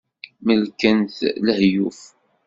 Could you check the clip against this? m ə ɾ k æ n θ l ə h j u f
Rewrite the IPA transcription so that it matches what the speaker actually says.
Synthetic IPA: m ə l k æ n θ l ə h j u f